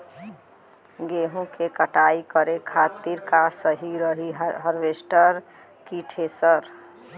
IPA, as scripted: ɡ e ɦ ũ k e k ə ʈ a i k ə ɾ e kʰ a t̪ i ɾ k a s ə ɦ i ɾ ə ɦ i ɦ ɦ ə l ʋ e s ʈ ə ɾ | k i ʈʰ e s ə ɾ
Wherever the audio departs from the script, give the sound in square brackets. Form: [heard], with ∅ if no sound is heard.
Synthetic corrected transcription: ɡ e ɦ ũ k e k ə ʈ a i k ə ɾ e kʰ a t̪ i ɾ k a s ə ɦ i ɾ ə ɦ i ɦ ɦ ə [ɾ] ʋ e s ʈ ə ɾ | k i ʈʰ e s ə ɾ